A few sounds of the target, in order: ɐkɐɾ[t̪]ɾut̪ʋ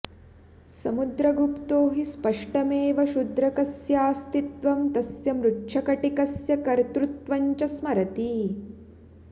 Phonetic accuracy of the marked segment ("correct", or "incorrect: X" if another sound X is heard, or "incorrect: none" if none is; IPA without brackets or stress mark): correct